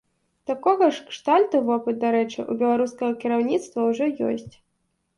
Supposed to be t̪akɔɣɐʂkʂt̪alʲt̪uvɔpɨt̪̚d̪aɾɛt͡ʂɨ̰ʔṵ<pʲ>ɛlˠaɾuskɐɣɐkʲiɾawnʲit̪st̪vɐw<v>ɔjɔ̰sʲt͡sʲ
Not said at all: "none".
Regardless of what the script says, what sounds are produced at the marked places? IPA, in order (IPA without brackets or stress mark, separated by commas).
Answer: bʲ, ʐ